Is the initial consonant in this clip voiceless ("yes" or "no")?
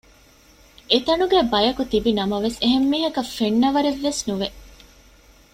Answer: yes